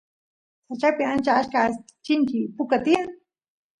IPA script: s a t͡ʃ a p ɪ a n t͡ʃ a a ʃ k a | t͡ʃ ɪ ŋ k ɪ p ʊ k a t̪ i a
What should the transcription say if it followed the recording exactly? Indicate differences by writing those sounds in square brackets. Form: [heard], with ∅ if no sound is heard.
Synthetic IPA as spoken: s a t͡ʃ a p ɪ a n t͡ʃ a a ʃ k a | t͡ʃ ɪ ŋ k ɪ p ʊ k a t̪ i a